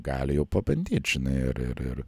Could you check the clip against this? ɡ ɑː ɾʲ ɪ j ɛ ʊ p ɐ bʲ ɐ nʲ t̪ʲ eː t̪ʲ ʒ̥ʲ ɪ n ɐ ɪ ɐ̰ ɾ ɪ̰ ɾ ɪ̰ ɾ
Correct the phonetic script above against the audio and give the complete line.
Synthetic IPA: ɡ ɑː lʲ ɪ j ɛ ʊ p ɐ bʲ ɐ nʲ d̪ʲ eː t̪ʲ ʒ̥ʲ ɪ n ɐ ɪ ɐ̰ ɾ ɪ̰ ɾ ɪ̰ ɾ